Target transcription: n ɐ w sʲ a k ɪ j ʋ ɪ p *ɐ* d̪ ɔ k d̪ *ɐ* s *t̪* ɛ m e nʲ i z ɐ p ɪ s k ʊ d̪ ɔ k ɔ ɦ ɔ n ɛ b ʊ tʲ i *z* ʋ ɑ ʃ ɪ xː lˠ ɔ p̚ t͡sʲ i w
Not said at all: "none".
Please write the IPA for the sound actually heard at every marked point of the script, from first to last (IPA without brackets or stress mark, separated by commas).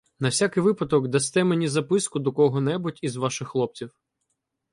ɐ, ɐ, t̪, z